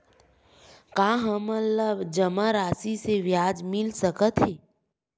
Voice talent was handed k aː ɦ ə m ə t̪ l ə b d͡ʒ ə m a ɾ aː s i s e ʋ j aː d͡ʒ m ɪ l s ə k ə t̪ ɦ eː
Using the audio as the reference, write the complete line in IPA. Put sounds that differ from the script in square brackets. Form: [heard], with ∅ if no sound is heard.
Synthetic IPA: k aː ɦ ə m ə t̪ l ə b d͡ʒ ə m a ɾ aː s i s e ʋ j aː d͡ʒ m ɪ l s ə k ə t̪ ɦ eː